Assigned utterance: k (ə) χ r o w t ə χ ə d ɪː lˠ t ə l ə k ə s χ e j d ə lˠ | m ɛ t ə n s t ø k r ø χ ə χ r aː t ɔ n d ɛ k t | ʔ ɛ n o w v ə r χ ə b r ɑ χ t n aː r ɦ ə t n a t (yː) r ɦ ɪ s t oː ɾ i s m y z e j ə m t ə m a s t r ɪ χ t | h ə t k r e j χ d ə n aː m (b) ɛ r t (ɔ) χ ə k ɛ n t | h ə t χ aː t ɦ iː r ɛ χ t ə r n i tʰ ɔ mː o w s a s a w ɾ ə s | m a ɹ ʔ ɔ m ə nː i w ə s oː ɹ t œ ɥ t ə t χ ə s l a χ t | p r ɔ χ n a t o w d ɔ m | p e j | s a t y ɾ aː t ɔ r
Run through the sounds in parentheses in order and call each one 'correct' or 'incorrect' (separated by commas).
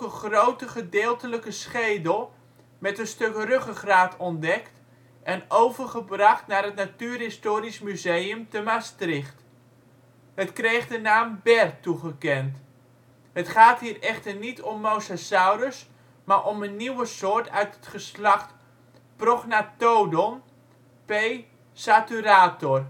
correct, correct, correct, incorrect